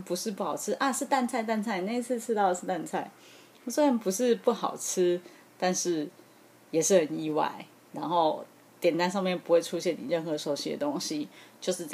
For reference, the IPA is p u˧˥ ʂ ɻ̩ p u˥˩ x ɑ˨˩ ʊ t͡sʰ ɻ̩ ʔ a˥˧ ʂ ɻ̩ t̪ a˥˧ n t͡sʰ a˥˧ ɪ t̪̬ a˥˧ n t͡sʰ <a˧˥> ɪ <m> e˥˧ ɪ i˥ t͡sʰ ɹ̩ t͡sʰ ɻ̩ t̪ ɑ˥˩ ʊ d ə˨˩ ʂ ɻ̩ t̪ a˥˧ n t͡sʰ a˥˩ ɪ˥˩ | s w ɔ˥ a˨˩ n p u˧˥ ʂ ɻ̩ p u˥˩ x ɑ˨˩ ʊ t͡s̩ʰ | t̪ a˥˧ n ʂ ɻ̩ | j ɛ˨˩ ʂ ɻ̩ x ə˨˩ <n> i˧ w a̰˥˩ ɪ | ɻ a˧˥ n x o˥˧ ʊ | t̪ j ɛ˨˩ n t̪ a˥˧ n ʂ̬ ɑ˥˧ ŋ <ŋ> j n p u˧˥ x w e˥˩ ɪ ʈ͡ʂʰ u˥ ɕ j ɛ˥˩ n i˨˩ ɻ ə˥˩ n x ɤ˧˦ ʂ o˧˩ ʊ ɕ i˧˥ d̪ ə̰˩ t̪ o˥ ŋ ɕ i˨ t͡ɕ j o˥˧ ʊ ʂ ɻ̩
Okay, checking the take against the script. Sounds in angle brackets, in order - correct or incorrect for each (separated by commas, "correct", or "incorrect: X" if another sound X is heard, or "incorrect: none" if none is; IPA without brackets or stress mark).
incorrect: a˥˧, incorrect: n, correct, incorrect: m